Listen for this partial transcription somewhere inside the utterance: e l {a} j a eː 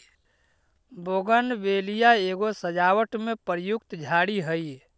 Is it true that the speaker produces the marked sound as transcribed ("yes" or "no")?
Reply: no